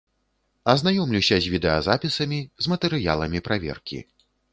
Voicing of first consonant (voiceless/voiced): voiced